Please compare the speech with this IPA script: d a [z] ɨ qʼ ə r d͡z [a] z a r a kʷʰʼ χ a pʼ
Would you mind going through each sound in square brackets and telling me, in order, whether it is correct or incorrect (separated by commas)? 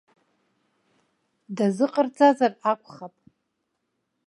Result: correct, correct